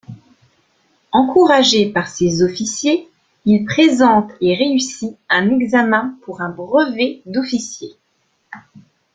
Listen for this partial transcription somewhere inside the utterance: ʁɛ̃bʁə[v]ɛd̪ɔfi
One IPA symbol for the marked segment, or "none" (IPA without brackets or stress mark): v